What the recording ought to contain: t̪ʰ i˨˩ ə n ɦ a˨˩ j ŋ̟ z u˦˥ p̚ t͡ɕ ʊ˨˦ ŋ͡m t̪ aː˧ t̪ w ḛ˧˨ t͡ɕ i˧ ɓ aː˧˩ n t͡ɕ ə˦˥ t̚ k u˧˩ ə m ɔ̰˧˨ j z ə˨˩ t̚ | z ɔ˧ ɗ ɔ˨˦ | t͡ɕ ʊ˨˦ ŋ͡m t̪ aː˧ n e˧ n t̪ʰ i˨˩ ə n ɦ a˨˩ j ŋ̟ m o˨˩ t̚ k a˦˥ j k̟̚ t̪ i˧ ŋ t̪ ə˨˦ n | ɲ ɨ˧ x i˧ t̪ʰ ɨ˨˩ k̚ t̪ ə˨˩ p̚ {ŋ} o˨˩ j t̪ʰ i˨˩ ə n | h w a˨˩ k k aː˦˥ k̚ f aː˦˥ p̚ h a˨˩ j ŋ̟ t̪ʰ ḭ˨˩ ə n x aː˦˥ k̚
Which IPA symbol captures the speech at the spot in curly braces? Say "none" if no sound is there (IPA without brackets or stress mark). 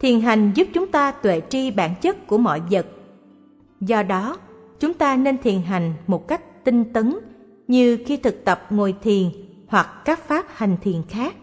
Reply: ŋ